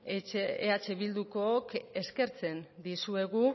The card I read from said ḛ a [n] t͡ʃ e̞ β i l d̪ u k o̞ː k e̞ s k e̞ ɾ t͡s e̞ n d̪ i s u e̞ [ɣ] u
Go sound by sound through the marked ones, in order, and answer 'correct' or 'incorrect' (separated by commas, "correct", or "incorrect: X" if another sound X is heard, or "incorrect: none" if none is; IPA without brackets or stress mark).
incorrect: none, correct